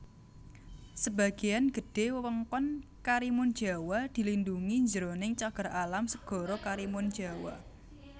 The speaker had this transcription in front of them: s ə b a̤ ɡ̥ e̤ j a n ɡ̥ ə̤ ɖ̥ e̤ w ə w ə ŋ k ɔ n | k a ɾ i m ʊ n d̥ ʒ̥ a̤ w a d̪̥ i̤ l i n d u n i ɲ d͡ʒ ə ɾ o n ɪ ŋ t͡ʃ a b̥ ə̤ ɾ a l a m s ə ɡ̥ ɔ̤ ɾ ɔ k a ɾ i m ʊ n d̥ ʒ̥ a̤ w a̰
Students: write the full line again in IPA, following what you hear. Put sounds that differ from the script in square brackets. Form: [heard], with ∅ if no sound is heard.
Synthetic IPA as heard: s ə b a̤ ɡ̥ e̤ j a n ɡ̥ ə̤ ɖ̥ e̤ w ə w ə ŋ k ɔ n | k a ɾ i m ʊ n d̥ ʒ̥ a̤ w a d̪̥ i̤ l i n d u [ŋ] i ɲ d͡ʒ ə ɾ o n ɪ ŋ t͡ʃ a [ɡ̥] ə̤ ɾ a l a m s ə ɡ̥ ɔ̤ ɾ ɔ k a ɾ i m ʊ n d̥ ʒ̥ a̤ w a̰